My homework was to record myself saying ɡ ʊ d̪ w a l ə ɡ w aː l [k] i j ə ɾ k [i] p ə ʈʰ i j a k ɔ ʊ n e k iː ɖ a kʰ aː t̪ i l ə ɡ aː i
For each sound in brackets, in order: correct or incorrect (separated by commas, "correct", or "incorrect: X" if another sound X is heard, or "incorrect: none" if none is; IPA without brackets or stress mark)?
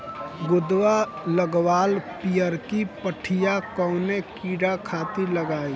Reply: incorrect: p, correct